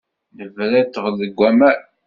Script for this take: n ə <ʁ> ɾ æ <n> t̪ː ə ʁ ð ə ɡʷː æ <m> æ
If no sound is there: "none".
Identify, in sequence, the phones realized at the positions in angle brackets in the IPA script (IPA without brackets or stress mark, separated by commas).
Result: v, none, m